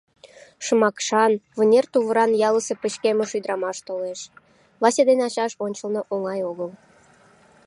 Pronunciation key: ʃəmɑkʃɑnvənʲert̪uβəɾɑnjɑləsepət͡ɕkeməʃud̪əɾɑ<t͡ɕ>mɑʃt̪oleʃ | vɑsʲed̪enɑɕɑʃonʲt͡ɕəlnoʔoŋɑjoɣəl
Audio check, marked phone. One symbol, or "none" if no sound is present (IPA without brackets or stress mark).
none